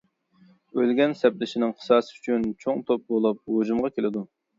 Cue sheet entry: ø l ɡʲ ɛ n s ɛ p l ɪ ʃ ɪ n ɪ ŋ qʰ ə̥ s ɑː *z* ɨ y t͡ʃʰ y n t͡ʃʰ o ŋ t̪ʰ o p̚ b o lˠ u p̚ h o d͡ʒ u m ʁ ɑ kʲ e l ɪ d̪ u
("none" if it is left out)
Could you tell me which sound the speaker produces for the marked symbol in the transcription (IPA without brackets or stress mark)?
s